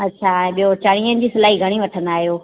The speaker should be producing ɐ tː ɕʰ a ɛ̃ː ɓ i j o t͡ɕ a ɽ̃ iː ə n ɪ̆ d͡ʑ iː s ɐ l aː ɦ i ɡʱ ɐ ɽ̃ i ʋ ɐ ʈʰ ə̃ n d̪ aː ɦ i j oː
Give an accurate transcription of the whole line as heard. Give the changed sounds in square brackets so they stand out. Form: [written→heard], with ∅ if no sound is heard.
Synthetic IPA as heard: ɐ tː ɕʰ a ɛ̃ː ɓ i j o t͡ɕ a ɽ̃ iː ə n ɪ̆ d͡ʑ iː s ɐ l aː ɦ i ɡʱ ɐ ɽ̃ i ʋ ɐ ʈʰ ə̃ n d̪ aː ɦ i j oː